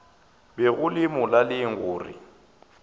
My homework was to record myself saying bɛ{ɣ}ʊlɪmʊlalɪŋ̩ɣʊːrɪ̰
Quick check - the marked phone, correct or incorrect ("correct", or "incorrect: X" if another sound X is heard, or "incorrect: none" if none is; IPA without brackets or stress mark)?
correct